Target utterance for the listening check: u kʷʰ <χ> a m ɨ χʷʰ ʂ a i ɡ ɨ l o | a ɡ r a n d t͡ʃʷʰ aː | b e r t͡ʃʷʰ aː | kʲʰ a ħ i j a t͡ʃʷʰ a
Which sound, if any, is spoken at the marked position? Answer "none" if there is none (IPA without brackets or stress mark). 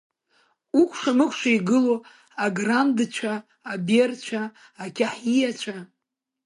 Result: ʂ